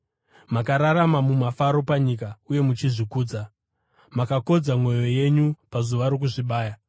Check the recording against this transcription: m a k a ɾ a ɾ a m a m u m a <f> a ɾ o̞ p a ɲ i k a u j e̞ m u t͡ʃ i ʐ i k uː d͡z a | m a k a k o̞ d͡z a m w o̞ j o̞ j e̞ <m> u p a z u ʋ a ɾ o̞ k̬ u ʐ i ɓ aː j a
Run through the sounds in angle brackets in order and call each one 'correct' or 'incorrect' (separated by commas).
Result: correct, incorrect